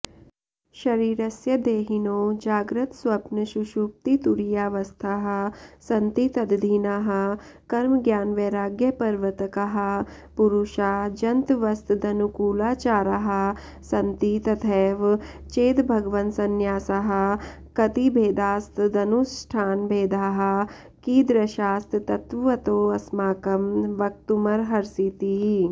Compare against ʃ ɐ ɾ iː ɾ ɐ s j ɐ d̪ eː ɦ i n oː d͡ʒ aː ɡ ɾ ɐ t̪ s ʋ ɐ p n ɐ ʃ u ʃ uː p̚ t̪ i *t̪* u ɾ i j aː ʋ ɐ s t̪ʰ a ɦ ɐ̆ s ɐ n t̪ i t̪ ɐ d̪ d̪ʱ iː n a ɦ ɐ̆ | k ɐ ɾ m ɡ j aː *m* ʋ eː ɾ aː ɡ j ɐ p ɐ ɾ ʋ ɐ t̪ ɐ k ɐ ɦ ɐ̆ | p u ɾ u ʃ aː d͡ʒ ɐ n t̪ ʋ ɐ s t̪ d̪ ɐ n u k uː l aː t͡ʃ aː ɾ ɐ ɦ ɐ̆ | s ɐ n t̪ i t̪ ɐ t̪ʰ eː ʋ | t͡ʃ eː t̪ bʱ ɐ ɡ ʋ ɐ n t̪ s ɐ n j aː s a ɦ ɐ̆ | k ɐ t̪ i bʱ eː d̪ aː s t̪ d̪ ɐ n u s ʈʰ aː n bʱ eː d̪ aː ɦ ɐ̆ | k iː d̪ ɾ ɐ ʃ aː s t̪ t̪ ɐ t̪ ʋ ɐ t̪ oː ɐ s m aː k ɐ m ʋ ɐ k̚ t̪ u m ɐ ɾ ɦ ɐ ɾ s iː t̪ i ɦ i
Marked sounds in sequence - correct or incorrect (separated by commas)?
correct, incorrect